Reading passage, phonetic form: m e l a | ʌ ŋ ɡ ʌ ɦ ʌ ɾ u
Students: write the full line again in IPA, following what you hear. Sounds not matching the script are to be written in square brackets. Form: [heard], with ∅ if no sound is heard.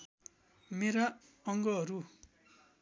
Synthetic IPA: m e [ɾ] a | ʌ ŋ ɡ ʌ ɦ ʌ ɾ u